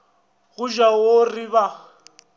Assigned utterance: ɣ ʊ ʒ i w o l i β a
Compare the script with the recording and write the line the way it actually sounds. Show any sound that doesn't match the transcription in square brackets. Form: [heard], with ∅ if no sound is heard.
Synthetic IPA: ɣ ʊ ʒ [a] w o [r] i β a